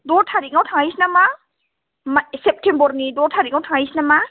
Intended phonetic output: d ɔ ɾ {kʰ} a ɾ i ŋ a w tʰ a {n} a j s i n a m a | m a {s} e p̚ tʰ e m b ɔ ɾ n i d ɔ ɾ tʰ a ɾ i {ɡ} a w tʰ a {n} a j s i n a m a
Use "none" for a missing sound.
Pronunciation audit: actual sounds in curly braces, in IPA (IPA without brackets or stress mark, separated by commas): tʰ, ŋ, s, ŋ, ŋ